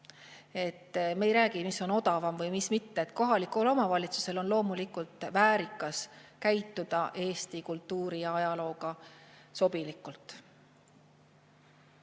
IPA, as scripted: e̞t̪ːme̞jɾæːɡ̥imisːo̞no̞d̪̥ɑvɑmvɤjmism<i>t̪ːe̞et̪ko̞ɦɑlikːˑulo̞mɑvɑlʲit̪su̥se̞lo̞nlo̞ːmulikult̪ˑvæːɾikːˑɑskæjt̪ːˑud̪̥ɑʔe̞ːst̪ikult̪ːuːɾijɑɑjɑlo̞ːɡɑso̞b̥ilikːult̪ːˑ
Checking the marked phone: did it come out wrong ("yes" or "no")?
no